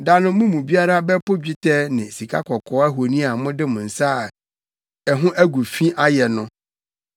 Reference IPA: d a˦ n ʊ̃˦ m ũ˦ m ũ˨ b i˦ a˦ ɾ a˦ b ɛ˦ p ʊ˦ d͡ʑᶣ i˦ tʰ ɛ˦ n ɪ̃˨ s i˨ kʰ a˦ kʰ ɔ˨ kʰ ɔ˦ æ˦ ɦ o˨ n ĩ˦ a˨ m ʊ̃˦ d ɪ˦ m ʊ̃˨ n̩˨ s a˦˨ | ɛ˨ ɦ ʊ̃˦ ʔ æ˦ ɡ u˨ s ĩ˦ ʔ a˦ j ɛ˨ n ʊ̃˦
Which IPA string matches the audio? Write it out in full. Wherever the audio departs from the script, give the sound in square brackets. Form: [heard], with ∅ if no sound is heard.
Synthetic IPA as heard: d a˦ n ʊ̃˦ m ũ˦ m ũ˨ b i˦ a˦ ɾ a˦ b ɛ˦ p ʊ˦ d͡ʑᶣ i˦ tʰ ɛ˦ n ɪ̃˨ s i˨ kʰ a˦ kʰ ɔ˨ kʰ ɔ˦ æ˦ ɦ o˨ n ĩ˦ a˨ m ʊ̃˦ d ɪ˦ m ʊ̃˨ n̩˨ s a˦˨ | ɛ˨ ɦ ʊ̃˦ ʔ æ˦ ɡ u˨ [f] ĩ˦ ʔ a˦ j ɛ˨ n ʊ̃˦